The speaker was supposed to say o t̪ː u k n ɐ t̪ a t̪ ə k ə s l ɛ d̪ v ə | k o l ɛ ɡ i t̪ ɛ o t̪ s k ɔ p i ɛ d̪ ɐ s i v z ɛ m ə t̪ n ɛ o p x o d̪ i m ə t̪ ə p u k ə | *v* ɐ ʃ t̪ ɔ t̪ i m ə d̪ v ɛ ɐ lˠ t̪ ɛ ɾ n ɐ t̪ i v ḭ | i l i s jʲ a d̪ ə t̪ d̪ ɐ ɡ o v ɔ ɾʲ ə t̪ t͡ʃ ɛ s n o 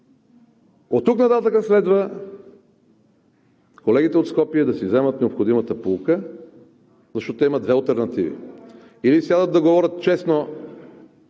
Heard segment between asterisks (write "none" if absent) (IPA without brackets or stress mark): z